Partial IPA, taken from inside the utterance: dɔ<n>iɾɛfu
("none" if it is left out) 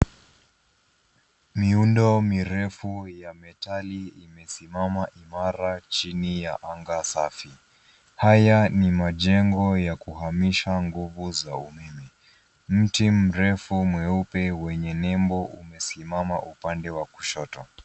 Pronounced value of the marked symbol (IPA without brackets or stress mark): m